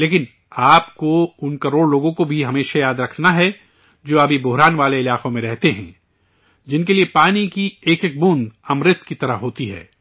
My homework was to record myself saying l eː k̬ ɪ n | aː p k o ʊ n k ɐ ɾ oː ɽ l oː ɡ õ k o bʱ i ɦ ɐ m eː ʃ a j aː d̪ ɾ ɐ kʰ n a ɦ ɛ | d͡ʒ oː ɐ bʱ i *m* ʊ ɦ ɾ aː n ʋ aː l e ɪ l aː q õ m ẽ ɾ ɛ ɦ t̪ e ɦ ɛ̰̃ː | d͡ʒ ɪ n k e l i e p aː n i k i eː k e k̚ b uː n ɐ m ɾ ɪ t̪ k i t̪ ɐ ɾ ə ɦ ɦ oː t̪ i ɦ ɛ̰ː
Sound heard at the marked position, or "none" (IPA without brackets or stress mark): b